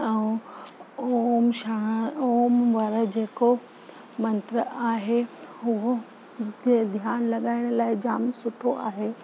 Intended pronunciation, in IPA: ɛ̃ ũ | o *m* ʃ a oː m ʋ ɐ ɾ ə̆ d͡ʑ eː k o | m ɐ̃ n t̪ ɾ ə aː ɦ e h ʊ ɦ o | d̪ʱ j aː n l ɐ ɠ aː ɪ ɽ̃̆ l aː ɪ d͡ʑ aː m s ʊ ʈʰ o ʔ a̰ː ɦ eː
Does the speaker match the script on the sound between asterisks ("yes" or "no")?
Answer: yes